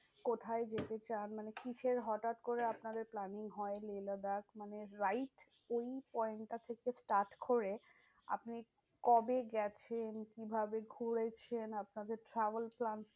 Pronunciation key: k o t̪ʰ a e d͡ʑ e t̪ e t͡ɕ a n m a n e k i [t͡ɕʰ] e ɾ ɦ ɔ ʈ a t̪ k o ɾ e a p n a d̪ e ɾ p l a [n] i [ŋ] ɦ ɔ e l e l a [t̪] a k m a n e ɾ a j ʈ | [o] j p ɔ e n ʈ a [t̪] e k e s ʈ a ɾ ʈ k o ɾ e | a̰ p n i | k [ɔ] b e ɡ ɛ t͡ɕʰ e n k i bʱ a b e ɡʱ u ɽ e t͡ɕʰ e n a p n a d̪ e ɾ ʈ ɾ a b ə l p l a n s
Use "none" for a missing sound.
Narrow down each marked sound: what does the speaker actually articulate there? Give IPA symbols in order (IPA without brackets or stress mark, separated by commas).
t͡ɕʰ, n, ŋ, d̪, o, t̪ʰ, ɔ